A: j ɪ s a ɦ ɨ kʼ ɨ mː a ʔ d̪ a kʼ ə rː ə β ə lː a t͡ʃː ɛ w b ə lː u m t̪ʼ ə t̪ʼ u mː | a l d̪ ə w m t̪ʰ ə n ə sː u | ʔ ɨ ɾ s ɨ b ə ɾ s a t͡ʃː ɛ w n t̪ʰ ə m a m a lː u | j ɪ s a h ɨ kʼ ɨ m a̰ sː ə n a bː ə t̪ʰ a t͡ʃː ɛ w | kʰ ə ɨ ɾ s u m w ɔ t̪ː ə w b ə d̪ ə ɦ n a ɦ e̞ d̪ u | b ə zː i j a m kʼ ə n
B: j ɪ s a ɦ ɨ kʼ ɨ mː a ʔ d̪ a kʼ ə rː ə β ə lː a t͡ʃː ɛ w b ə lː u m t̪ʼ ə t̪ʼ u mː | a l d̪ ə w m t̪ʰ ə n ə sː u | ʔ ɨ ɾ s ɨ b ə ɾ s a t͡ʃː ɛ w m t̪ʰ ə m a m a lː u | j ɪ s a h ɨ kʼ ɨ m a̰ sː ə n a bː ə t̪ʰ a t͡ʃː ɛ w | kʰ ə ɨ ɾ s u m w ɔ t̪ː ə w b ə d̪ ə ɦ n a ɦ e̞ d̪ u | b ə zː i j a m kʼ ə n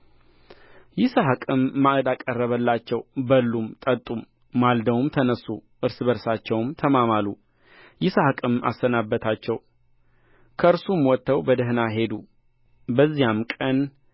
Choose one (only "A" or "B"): B